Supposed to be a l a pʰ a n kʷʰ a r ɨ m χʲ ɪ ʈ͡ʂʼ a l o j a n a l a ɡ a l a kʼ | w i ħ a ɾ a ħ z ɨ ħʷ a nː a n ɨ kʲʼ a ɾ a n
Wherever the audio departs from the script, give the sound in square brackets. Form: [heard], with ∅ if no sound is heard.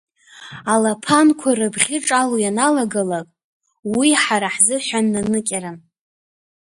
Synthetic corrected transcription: a l a pʰ a n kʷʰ a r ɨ [b] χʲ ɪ ʈ͡ʂʼ a l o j a n a l a ɡ a l a kʼ | w i ħ a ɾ a ħ z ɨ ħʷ a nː a n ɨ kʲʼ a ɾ a n